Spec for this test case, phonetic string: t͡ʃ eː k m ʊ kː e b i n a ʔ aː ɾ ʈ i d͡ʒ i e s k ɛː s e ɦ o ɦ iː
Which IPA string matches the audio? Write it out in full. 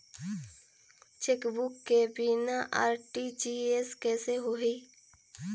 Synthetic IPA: t͡ʃ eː k b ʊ kː e b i n a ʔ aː ɾ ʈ i d͡ʒ i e s k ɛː s e ɦ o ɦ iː